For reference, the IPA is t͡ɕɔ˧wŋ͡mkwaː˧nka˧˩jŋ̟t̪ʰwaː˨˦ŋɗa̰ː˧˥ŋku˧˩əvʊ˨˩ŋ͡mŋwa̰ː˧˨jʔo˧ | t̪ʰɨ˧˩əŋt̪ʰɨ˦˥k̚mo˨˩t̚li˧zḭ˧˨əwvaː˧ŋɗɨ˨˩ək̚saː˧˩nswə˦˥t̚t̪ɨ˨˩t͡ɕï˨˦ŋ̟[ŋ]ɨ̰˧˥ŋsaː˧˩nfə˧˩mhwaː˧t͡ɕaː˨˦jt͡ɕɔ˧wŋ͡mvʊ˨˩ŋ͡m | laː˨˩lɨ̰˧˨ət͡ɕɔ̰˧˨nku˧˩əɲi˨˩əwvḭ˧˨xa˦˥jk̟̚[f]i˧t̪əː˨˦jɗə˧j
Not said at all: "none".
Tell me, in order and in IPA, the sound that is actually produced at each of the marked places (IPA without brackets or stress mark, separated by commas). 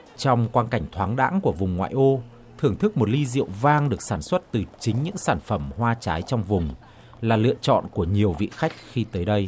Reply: ɲ, x